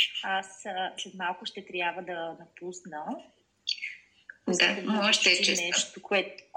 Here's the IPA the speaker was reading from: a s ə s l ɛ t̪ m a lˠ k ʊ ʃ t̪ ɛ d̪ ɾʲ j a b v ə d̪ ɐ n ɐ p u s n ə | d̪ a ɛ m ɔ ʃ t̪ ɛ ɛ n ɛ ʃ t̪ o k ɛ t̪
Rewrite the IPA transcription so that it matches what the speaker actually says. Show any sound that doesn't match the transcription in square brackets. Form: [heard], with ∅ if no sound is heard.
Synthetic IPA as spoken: a s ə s l ɛ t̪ m a lˠ k ʊ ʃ t̪ ɛ [t̪] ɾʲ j a b v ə d̪ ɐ n ɐ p u s n ə | d̪ a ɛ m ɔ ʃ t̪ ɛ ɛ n ɛ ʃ t̪ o k ɛ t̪